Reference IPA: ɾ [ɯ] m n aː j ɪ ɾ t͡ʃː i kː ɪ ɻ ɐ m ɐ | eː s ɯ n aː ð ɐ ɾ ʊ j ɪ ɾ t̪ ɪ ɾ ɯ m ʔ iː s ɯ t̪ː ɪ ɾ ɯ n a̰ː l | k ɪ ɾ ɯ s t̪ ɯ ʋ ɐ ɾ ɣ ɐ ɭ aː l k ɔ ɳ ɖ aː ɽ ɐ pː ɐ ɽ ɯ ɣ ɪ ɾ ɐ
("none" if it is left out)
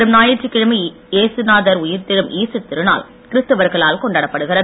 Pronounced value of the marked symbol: ɯ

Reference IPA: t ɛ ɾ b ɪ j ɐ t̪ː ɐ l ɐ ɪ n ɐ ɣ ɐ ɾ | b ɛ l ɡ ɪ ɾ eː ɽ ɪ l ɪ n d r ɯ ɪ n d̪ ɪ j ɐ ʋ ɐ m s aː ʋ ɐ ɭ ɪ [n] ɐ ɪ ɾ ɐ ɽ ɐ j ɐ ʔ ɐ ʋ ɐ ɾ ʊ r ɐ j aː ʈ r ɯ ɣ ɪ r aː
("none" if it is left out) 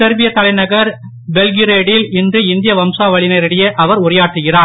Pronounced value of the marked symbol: n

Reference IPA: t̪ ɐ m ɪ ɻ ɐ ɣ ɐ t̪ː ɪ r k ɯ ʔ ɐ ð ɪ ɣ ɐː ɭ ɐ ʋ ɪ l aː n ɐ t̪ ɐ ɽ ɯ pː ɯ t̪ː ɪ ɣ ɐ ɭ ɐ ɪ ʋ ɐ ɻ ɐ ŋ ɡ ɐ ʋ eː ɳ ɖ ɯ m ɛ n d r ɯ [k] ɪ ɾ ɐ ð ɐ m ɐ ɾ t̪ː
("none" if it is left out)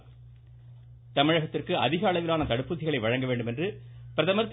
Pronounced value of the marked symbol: p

